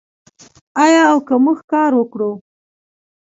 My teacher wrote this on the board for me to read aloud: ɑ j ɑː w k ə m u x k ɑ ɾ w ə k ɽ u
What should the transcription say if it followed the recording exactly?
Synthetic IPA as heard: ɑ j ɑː w k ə m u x k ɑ ɾ w ə k ɽ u